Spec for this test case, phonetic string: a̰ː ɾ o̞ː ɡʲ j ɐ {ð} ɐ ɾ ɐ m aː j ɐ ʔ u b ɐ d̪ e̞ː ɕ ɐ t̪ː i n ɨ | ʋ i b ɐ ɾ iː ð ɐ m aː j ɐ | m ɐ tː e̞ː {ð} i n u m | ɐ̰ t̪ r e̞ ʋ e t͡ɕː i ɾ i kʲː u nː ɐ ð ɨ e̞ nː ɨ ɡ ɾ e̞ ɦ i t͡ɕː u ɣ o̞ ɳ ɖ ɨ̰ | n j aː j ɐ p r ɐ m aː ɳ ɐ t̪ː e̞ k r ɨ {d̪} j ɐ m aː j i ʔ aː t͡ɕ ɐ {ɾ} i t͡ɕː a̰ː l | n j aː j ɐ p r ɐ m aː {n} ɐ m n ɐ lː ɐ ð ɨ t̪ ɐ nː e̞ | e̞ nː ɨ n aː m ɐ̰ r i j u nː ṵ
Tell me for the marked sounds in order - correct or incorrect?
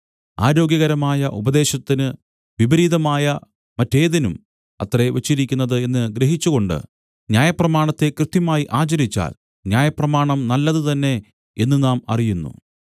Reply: incorrect: ɣ, correct, incorrect: t̪, correct, incorrect: ɳ

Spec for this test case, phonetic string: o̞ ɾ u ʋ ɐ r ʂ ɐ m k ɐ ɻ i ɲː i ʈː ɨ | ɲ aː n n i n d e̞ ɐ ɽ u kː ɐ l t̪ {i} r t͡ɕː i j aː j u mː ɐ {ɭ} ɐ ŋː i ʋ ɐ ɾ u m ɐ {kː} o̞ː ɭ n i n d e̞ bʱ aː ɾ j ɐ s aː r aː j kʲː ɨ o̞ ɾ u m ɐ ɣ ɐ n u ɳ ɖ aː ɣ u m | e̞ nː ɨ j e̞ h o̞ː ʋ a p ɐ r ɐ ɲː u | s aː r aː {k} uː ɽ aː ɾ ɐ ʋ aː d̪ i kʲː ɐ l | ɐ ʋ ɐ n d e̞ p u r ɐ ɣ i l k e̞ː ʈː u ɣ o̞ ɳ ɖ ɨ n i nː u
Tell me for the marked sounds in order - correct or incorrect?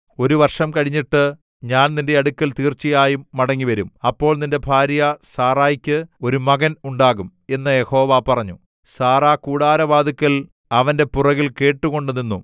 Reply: incorrect: iː, incorrect: ɽ, incorrect: pː, correct

